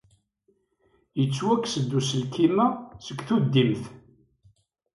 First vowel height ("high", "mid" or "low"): mid